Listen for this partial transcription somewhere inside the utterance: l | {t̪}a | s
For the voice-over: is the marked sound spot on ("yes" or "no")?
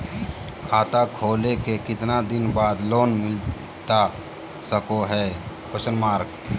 yes